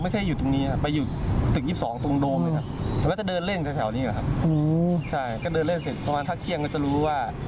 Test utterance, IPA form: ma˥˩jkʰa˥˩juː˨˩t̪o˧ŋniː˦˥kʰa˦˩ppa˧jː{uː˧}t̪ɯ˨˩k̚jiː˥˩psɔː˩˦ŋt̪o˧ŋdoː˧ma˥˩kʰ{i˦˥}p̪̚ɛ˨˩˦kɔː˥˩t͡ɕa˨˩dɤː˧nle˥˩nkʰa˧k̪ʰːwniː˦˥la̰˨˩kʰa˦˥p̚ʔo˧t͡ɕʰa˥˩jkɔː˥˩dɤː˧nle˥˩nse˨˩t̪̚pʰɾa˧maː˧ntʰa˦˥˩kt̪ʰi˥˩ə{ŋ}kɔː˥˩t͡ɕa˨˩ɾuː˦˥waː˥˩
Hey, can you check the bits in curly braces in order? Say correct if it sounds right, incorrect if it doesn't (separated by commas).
incorrect, incorrect, correct